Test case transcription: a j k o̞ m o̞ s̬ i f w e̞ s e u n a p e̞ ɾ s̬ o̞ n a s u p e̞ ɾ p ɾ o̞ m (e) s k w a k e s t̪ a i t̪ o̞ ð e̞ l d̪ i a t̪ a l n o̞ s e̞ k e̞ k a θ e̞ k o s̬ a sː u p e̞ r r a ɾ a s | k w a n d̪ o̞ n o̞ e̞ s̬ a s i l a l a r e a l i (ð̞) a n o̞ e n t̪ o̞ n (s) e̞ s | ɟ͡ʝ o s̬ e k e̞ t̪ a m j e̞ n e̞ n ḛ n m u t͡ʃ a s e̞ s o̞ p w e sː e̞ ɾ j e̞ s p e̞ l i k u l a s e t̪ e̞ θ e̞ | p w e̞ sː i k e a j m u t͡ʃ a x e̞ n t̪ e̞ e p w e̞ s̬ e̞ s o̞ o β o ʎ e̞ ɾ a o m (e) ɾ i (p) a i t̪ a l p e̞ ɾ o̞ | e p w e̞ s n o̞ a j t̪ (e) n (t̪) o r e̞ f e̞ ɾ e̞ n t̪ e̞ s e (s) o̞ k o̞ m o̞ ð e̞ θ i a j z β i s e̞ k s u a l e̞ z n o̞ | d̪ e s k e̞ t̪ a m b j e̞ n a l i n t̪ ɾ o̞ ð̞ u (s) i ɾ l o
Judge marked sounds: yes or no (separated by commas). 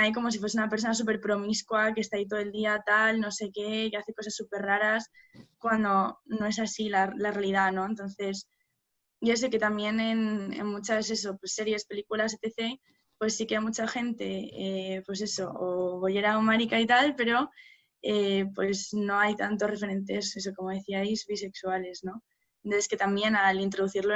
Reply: no, yes, no, no, no, no, yes, yes, no